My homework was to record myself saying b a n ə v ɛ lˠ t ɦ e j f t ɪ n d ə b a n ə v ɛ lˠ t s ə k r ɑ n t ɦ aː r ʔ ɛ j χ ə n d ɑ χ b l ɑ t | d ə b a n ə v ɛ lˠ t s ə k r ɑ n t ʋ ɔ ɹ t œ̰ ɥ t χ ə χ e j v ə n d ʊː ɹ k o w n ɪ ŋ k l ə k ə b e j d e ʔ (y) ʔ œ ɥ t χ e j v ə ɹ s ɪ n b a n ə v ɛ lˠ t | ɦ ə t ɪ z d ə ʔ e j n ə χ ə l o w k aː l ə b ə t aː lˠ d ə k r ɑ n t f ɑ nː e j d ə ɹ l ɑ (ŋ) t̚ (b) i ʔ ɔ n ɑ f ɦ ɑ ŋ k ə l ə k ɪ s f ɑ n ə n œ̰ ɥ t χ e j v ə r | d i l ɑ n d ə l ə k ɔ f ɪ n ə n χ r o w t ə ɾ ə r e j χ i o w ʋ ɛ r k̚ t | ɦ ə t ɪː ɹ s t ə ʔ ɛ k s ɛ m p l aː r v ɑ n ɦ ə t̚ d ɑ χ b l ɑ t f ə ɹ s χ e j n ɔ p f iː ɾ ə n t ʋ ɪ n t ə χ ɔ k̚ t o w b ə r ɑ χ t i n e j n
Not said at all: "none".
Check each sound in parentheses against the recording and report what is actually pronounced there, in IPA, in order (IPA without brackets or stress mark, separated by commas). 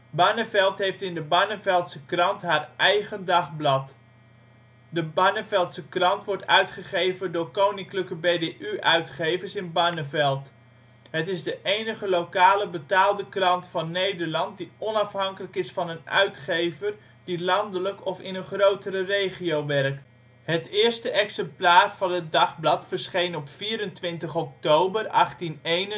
y, n, d